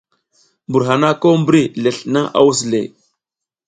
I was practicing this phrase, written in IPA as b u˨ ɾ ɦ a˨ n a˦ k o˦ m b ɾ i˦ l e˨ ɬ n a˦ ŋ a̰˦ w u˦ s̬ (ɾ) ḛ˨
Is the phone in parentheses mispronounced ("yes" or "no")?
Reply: yes